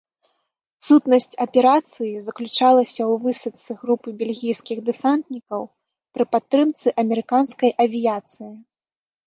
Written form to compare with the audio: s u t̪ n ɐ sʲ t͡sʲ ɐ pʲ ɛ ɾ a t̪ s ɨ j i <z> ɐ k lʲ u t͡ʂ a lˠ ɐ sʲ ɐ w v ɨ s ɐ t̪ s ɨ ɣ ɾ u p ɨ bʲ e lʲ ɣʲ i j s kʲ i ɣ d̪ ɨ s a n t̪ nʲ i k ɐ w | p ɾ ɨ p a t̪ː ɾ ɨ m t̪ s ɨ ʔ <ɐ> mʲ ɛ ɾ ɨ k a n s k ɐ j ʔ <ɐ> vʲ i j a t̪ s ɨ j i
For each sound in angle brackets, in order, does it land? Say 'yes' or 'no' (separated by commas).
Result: yes, yes, yes